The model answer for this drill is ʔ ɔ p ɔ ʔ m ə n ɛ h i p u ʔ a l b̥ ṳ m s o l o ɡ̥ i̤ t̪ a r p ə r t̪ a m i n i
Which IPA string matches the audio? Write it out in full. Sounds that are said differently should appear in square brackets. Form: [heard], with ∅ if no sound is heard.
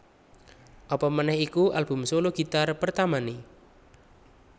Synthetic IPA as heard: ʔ ɔ p ɔ [∅] m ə n ɛ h i [k] u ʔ a l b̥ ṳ m s o l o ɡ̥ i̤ t̪ a r p ə r t̪ a m [a] n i